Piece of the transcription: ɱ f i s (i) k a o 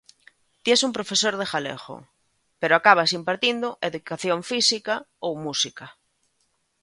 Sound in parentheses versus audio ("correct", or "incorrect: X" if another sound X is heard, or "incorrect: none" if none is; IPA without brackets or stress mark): correct